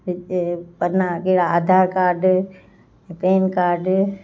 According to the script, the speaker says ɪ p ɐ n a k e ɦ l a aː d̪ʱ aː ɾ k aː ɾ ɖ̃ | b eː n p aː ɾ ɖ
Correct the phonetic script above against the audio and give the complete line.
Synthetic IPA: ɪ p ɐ n a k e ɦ ɽ a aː d̪ʱ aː ɾ k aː ɾ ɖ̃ | p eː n k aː ɾ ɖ